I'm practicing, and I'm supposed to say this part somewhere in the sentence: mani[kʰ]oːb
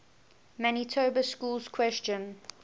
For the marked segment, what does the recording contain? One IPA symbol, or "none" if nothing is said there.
tʰ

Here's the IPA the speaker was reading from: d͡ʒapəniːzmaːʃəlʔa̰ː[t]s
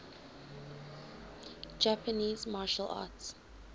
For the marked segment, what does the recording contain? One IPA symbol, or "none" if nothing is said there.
t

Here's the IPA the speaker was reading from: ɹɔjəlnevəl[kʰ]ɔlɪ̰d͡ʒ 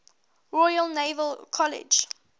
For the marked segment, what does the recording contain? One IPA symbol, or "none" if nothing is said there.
kʰ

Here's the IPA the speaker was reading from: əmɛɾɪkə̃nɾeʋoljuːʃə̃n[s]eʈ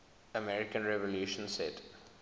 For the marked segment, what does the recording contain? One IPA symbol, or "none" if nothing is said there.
s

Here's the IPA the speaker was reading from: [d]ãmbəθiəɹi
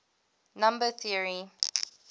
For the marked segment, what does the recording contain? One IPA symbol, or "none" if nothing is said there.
n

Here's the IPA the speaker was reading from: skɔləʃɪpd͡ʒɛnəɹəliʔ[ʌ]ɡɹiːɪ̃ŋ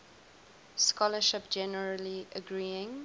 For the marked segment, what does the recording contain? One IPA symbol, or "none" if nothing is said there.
ə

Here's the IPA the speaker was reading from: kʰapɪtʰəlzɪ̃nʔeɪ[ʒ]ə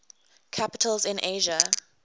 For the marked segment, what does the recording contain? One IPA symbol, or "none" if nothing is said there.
ʒ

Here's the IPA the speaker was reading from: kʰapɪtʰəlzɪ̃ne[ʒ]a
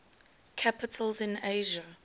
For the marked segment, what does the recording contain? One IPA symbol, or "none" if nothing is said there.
ʒ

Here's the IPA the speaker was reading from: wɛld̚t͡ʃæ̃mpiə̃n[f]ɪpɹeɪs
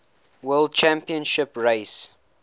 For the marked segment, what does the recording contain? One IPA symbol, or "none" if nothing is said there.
ʃ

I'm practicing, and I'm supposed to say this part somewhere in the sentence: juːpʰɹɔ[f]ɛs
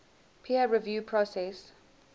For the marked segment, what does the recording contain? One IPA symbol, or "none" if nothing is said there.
s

